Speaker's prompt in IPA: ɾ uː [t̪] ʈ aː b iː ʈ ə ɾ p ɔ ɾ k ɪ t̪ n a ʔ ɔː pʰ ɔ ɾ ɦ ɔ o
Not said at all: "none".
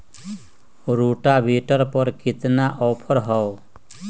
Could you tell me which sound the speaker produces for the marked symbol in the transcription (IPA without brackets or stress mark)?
none